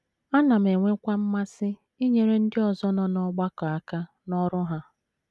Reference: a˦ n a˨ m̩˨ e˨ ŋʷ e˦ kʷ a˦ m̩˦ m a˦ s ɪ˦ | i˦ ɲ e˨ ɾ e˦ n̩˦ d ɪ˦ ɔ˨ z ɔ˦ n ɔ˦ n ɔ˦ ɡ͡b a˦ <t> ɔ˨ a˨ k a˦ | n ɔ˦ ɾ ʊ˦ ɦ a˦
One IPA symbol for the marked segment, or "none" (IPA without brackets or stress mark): k